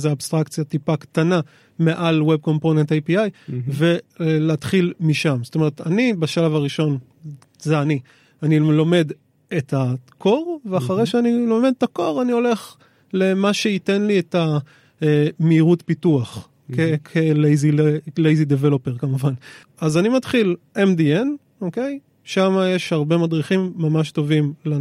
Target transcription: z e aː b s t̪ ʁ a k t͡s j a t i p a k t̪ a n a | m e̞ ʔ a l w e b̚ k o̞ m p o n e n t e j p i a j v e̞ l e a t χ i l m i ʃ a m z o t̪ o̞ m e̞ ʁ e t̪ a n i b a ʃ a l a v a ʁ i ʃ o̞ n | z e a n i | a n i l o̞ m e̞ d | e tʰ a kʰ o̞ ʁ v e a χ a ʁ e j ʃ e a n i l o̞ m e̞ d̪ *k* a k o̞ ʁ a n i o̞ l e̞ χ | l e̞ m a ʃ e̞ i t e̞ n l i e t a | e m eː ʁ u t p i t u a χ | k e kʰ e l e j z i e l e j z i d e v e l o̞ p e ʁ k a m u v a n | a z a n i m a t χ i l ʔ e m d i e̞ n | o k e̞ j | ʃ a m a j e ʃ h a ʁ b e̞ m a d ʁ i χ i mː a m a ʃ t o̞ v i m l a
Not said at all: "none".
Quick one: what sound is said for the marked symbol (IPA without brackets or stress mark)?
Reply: t